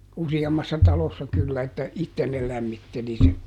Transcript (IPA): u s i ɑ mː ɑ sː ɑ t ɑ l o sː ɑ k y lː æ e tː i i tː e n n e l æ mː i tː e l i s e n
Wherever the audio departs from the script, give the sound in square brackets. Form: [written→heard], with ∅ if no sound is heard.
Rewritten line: u s i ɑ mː ɑ sː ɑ t ɑ l o sː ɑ k y lː æ e tː [i→æ] i tː e n n e l æ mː i tː e l i s e n

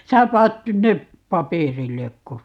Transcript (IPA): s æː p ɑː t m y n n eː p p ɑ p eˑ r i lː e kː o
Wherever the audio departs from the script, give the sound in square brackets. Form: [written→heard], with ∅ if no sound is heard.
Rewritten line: s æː p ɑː t [m→n] y n n [eː→e] p p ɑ p eˑ r i lː e kː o

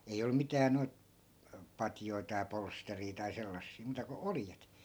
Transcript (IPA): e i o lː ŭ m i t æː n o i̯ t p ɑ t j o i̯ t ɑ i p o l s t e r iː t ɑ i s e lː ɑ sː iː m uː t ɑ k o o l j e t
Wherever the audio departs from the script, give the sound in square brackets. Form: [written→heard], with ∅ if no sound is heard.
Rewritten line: e i o lː ŭ m i t æː n o i̯ t p ɑ t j o i̯ t ɑ i p o l s t e r iː t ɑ i s e lː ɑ sː iː m uː t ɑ k o o l j e t

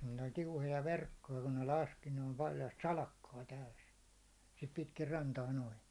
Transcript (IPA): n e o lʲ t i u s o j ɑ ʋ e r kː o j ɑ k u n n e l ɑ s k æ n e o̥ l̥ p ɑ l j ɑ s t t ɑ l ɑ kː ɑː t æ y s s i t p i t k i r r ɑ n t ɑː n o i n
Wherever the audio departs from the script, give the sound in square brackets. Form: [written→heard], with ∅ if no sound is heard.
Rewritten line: n e o lʲ t i u [s→h] o j ɑ ʋ e r kː o j ɑ k u n n e l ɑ s k [æ→i] n e o̥ l̥ p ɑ l j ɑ s t [t→s] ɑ l ɑ kː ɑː t æ y s s i t p i t k i r r ɑ n t ɑː n o i n

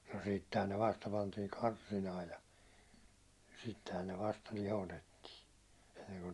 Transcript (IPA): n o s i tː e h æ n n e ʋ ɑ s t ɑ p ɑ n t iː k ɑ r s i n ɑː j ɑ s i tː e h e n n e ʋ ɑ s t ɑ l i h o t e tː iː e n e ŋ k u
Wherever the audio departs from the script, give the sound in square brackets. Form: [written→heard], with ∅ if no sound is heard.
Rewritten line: n o s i tː e h æ n n e ʋ ɑ s t ɑ p ɑ n t iː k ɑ r s i n ɑː j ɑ s i tː e h [e→æ] n n e ʋ ɑ s t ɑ l i h o t e tː iː e [n→nː] e ŋ k u

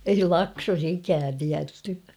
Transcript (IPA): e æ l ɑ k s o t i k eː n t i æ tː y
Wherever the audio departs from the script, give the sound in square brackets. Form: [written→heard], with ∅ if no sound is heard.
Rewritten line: e [æ→i] l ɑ k s o [t→s] i k [eː→æː] n t i æ tː y

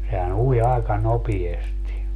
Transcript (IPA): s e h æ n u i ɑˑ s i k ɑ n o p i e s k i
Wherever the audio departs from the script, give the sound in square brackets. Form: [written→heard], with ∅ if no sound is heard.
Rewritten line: s e h æ n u i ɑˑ [s→∅] i k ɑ n o p i e s [k→t] i

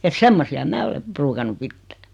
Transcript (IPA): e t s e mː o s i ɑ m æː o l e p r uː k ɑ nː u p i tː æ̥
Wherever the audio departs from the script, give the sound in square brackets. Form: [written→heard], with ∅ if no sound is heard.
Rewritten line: e t s e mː o s i ɑ m æː o l e p r uː k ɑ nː u p i tː æ̥

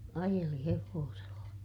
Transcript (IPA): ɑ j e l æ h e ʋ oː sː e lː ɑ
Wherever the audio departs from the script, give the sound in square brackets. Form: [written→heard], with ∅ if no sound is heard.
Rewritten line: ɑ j e l [æ→i] h e ʋ oː [sː→s] e lː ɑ

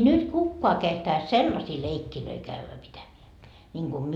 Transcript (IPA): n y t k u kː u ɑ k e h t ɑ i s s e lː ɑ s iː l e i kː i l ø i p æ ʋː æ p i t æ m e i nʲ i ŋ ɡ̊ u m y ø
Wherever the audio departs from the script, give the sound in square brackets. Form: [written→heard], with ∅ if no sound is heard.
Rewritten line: n y t k u kː [u→o] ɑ k e h t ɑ i s s e lː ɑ s iː l e i kː i l ø i [p→k] æ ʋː æ p i t æ m e [i→æ] nʲ i ŋ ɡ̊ u m y ø

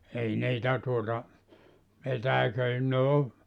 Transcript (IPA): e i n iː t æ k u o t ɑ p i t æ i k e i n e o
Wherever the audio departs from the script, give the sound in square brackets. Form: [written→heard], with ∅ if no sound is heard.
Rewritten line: e i n iː t æ [k→t] u o t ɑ p [i→e] t æ i k [e→ø] i n e o

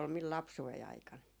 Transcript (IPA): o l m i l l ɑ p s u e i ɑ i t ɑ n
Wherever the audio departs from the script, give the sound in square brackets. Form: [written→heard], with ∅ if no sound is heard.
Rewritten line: o l m i l l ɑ p s u e i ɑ i [t→k] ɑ n

